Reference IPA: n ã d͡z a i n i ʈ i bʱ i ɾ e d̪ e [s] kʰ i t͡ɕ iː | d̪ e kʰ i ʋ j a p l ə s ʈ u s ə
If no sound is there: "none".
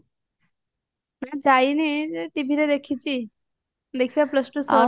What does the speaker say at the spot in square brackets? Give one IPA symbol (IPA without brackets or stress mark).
none